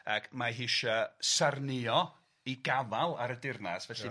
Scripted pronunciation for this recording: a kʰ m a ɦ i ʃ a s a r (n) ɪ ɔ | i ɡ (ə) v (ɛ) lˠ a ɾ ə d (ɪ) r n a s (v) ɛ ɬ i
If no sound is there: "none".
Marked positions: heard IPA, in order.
n, a, a, ɪ, v

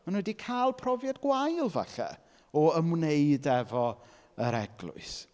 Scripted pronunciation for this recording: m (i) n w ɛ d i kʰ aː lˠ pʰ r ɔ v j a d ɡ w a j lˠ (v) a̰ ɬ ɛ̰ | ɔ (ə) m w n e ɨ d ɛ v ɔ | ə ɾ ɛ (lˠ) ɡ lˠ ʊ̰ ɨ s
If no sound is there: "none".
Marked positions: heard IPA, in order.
a, v, ə, none

